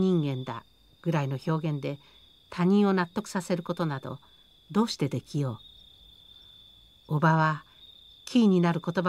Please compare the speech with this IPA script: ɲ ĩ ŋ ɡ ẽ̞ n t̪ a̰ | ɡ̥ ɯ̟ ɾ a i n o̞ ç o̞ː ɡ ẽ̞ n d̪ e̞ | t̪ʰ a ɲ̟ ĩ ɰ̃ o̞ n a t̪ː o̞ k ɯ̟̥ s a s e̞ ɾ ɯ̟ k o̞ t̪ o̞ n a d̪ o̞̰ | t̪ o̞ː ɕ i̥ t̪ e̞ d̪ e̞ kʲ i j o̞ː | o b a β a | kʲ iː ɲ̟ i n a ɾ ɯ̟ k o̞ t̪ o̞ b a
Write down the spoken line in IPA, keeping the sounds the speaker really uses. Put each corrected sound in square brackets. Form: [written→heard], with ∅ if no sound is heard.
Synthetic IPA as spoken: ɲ ĩ ŋ ɡ ẽ̞ n [t̪→d̪] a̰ | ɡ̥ ɯ̟ ɾ a i n o̞ ç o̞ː ɡ ẽ̞ n d̪ e̞ | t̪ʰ a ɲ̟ ĩ ɰ̃ o̞ n a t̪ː o̞ k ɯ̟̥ s a s e̞ ɾ ɯ̟ k o̞ t̪ o̞ n a d̪ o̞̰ | [t̪→d̪] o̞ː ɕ i̥ t̪ e̞ d̪ e̞ kʲ i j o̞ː | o b a β a | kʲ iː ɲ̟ i n a ɾ ɯ̟ k o̞ t̪ o̞ b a